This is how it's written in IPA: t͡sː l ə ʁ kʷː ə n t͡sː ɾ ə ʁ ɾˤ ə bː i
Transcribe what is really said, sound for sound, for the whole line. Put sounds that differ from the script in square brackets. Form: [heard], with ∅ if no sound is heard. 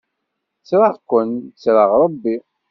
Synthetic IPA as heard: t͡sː [ɾ] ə ʁ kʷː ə n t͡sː ɾ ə ʁ ɾˤ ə bː i